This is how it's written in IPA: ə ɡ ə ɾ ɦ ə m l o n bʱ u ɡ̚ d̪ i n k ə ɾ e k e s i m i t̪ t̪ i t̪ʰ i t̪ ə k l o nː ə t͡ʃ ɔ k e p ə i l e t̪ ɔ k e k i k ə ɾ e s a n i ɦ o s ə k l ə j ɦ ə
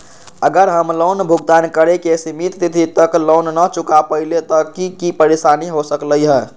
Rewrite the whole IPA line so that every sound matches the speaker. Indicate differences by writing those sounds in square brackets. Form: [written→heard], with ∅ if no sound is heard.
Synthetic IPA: ə ɡ ə ɾ ɦ ə m l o n bʱ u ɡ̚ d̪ [i→a] n k ə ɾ e k e s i m i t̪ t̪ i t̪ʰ i t̪ ə k l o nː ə t͡ʃ [ɔ→u] k [e→a] p ə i l e t̪ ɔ k [e→i] k i [k→p] ə ɾ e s a n i ɦ o s ə k l ə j ɦ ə